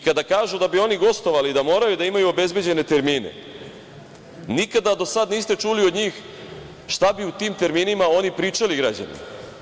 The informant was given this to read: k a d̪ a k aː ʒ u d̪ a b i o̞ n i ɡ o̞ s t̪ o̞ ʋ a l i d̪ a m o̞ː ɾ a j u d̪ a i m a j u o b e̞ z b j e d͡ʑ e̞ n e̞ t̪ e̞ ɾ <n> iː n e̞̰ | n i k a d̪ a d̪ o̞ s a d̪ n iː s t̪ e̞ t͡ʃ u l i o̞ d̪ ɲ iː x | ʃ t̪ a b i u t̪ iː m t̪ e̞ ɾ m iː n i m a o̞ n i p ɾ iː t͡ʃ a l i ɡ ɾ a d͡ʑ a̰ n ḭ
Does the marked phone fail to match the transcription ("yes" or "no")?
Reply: yes